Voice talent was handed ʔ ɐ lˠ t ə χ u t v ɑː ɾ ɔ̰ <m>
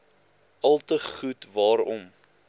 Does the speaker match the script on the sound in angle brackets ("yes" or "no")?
yes